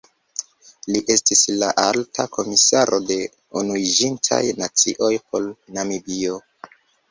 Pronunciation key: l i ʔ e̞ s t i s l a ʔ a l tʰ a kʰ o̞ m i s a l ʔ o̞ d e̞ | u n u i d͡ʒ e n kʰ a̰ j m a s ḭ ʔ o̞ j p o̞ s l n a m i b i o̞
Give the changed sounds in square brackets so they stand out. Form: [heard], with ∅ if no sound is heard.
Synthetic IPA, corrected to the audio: l i ʔ e̞ s t i s l a ʔ a l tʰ a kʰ o̞ m i s a [ɾ] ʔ o̞ d e̞ | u n u i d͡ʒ [i] n [tʰ] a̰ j [n] a [t͡s] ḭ ʔ o̞ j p o̞ [∅] l n a m i b i o̞